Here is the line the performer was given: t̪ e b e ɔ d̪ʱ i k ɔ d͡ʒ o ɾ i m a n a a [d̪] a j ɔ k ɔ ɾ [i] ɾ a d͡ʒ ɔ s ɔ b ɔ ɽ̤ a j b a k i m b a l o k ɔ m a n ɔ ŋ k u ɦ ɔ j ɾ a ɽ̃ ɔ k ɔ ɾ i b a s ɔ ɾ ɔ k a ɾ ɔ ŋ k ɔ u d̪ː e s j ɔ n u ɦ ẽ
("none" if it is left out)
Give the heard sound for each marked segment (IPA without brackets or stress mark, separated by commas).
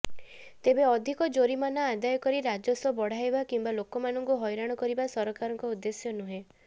d̪, i